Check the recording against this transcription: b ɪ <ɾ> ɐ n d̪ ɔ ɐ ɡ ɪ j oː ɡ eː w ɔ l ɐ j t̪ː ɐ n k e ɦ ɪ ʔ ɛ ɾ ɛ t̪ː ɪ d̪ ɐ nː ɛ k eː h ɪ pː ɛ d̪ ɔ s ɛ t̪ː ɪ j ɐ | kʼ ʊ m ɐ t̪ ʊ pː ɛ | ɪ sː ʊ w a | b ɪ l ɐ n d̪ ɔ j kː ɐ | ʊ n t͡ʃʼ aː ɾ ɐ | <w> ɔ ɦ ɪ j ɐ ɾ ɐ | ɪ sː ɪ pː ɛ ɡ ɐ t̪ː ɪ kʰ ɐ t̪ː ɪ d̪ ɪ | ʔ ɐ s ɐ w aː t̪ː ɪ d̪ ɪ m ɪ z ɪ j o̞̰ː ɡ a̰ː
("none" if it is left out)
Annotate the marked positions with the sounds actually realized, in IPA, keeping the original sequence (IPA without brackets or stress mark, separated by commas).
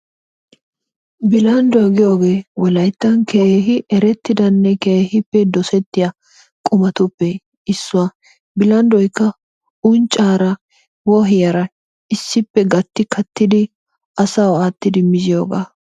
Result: l, w